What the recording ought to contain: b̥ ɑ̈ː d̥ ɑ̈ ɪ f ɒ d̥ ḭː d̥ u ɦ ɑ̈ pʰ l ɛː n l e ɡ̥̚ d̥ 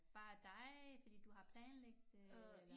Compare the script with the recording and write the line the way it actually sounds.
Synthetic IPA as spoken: b̥ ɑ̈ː d̥ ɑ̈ ɪ f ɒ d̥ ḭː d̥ u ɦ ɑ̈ pʰ l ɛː n l e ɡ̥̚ d̥